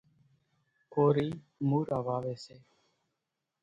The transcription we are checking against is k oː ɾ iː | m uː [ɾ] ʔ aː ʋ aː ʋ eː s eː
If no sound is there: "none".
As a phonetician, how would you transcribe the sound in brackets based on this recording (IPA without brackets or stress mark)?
ɾ